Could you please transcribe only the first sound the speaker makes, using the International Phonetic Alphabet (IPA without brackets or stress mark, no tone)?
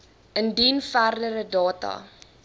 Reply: ə